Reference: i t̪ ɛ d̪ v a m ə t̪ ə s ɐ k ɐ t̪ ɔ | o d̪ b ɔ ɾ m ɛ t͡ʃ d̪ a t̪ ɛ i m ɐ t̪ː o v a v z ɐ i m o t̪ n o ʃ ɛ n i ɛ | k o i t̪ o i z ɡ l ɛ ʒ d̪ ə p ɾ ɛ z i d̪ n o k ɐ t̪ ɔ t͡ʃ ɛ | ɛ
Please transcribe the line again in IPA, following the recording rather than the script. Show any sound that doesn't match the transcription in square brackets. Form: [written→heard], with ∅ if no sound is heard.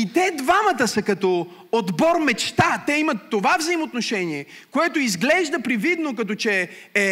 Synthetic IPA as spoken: i t̪ ɛ d̪ v a m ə t̪ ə s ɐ k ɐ t̪ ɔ | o d̪ b ɔ ɾ m ɛ t͡ʃ [d̪→t̪] a t̪ ɛ i m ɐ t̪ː o v a v z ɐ i m o t̪ n o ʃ ɛ n i ɛ | k o [i→ɛ] t̪ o i z ɡ l ɛ ʒ d̪ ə p ɾ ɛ [z→v] i d̪ n o k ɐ t̪ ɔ t͡ʃ ɛ | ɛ